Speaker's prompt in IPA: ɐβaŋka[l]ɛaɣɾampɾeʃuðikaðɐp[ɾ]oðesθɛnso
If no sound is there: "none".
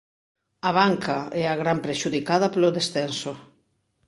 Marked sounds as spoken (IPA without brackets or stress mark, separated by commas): none, l